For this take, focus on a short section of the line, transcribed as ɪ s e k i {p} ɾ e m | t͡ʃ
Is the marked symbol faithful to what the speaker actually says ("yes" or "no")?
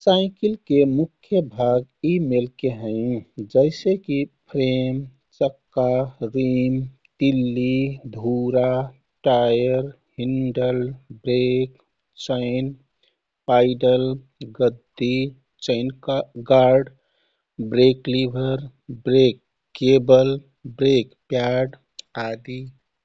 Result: no